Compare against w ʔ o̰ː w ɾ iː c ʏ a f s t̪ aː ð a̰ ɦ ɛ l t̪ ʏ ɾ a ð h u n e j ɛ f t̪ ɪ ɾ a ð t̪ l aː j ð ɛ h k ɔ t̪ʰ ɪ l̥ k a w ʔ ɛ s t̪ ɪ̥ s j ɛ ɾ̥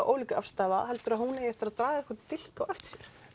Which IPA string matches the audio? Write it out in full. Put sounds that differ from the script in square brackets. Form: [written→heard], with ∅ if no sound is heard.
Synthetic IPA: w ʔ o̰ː w [ɾ→l] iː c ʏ a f s t̪ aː ð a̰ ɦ ɛ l t̪ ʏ ɾ a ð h u n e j ɛ f t̪ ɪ ɾ a ð t̪ [l→ɾ] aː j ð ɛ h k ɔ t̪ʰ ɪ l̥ k a w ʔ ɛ [s→f] t̪ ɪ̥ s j ɛ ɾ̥

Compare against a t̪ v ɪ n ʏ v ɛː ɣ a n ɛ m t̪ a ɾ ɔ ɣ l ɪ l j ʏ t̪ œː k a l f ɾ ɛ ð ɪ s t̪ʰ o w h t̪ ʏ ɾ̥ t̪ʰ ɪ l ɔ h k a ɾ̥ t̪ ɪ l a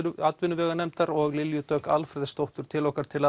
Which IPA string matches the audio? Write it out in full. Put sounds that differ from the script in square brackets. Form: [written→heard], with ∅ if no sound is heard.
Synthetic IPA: a t̪ v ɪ n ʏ v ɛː ɣ a n ɛ m t̪ a ɾ ɔ ɣ l ɪ l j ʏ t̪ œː k a l f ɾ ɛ ð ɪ s [t̪ʰ→t̪] o w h t̪ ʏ ɾ̥ t̪ʰ ɪ l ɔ h k a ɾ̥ [t̪→t̪ʰ] ɪ l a

